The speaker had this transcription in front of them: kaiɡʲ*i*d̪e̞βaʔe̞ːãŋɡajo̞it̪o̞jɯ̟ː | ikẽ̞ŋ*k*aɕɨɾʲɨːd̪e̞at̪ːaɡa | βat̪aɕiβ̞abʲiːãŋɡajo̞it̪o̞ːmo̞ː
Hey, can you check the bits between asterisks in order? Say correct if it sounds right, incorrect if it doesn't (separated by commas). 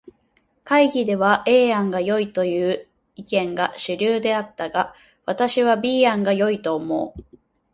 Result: correct, incorrect